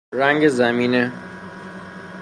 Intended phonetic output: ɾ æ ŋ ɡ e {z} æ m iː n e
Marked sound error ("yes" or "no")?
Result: no